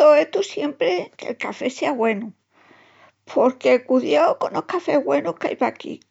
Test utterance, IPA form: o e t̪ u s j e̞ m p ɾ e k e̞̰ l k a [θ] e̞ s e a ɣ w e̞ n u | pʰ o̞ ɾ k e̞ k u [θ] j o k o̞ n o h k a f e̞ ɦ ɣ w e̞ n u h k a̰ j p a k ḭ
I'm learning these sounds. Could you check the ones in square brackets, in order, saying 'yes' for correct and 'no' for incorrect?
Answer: no, no

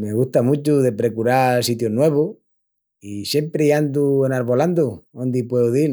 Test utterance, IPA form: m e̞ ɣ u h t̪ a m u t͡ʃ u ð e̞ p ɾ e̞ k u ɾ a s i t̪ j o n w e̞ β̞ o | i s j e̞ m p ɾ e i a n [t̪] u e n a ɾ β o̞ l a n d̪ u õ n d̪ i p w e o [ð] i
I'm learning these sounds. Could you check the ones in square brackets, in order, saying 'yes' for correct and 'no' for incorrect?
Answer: no, yes

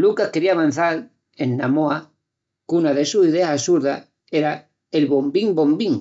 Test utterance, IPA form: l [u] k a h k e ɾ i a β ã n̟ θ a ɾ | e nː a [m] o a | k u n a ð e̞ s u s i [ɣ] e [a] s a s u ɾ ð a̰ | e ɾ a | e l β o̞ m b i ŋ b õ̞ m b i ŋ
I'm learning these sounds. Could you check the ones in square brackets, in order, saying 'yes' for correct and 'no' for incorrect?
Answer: yes, yes, no, yes

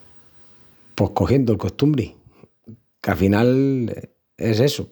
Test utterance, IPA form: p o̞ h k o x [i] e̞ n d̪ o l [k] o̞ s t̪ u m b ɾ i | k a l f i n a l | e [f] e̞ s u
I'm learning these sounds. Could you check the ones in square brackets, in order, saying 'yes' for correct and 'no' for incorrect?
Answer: no, yes, no

